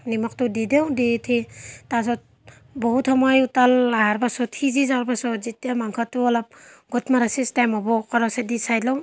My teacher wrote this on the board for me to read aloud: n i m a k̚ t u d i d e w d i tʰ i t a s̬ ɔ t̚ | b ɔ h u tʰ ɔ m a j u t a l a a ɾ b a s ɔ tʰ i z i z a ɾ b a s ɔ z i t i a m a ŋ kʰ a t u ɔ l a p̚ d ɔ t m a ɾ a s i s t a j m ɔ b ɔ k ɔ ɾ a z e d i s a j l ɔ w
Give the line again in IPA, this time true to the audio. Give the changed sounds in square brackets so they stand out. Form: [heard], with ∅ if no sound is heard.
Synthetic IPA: n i m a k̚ t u d i d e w d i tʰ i t a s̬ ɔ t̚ | b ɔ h u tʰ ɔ m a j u t a l a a ɾ b a s ɔ tʰ i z i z a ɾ b a s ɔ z i t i a m a ŋ kʰ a t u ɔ l a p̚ [ɡ] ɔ t m a ɾ a s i s t a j m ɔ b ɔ k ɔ ɾ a [s] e d i s a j l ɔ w